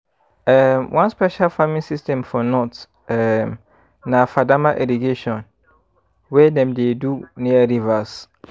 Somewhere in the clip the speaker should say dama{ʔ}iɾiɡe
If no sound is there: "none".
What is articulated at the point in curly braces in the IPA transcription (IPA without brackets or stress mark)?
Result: ʔ